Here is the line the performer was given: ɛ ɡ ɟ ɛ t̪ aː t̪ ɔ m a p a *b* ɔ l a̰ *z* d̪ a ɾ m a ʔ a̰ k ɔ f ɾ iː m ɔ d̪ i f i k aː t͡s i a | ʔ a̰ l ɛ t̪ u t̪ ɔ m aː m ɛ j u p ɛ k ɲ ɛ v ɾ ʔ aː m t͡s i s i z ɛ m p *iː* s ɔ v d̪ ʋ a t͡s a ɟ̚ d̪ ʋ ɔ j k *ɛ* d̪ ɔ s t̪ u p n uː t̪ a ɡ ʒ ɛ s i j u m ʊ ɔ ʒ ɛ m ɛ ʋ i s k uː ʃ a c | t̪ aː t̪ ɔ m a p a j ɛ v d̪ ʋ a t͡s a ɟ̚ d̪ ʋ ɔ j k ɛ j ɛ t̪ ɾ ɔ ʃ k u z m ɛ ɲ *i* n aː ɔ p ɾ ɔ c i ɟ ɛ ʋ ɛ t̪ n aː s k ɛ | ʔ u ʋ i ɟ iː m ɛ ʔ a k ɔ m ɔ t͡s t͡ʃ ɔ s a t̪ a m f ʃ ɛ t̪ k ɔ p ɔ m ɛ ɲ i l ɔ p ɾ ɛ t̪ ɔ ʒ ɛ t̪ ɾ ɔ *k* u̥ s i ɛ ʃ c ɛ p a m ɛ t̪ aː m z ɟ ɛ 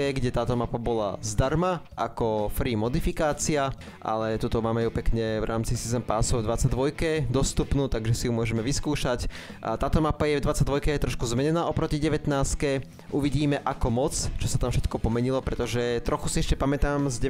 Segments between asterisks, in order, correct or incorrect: correct, correct, incorrect, correct, incorrect, incorrect

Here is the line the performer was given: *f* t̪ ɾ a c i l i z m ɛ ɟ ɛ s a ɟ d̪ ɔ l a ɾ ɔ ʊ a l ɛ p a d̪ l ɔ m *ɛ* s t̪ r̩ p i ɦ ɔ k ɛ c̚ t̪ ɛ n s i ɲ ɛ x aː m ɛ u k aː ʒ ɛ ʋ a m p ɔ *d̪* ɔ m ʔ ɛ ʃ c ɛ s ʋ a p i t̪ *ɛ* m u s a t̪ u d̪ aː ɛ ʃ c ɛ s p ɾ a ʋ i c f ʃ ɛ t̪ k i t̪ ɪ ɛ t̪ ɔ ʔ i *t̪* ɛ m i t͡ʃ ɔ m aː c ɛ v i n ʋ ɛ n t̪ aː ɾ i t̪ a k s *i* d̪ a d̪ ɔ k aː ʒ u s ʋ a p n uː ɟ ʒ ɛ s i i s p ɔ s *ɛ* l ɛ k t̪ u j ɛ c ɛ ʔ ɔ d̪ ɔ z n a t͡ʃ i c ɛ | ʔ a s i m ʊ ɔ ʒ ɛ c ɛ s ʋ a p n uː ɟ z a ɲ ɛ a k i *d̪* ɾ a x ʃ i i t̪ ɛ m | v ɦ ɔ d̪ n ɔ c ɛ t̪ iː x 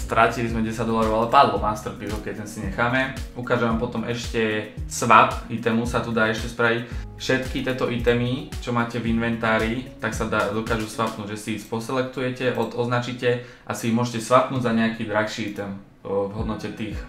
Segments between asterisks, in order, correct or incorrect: incorrect, incorrect, incorrect, correct, correct, incorrect, correct, correct

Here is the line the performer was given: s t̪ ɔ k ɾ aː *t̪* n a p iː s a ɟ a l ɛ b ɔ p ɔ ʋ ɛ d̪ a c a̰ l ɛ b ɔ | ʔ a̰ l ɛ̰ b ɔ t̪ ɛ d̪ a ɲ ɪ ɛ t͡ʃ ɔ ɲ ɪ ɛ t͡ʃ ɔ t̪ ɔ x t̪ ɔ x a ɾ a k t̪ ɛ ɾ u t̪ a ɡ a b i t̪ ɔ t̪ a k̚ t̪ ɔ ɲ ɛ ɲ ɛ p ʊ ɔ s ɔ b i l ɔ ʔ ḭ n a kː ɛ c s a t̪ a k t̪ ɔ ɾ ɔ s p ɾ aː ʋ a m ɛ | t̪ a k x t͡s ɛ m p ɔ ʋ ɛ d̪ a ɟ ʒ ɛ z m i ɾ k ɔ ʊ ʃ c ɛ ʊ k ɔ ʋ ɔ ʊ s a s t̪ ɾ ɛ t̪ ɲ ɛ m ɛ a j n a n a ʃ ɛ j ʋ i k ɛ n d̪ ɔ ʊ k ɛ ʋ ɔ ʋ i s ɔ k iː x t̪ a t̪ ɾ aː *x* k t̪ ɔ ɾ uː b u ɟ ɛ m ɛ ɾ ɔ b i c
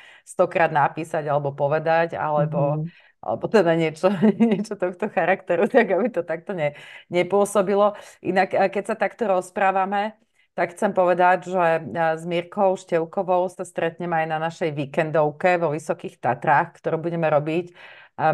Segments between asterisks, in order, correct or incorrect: incorrect, correct

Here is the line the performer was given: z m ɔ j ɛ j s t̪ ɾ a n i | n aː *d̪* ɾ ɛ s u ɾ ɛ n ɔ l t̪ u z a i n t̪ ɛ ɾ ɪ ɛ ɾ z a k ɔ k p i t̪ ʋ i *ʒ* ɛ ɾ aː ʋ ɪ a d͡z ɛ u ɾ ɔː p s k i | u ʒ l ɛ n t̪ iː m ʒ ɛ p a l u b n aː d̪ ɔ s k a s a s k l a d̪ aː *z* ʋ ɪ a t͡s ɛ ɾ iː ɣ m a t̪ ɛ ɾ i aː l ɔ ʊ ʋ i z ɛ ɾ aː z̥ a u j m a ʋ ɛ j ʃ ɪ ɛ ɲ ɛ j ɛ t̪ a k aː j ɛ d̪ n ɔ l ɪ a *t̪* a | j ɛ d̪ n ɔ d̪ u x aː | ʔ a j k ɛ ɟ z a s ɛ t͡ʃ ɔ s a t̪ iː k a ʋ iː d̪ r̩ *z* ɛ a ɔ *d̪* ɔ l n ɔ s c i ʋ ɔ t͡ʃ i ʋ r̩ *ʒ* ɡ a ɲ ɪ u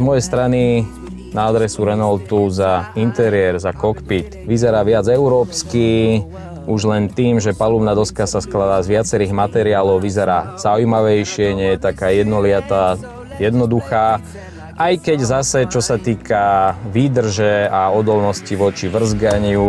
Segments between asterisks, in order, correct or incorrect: correct, incorrect, correct, correct, incorrect, correct, incorrect

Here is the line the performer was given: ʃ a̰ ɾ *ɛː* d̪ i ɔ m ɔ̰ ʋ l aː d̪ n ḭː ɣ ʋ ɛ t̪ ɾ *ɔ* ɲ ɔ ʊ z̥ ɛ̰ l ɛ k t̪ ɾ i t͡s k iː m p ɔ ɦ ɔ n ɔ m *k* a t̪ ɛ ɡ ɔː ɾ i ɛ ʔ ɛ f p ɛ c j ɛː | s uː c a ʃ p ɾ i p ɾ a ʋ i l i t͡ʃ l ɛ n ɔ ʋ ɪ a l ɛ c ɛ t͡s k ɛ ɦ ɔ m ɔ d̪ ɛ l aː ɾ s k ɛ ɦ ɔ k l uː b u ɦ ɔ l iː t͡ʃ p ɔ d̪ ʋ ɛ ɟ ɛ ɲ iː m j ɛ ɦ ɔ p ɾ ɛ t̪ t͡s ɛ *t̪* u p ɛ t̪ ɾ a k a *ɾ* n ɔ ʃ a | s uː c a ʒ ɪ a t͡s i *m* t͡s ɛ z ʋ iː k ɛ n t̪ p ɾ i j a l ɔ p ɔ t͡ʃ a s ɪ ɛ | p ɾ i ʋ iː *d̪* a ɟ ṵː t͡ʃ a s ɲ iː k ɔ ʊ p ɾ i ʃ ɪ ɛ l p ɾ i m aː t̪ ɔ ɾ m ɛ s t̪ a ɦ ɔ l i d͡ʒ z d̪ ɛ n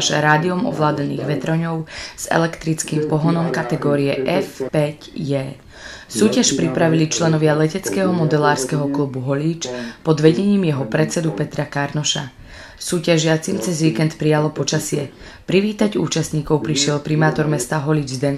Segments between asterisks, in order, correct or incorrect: incorrect, correct, correct, incorrect, correct, correct, incorrect

